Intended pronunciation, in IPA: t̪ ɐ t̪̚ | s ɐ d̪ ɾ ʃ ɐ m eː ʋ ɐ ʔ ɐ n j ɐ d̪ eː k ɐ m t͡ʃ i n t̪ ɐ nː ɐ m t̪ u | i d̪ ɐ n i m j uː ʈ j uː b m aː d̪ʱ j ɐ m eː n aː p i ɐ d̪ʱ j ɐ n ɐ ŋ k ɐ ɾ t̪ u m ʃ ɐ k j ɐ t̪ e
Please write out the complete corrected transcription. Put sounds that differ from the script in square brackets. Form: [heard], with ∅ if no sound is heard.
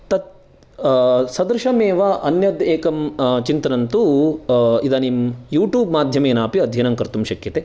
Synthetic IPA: t̪ ɐ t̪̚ | s ɐ d̪ ɾ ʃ ɐ m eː ʋ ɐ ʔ ɐ n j ɐ d̪ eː k ɐ m t͡ʃ i n t̪ ɐ [n] ɐ [n] t̪ u | i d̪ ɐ n i m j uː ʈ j uː b m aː d̪ʱ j ɐ m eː n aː p i ɐ d̪ʱ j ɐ n ɐ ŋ k ɐ ɾ t̪ u m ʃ ɐ k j ɐ t̪ e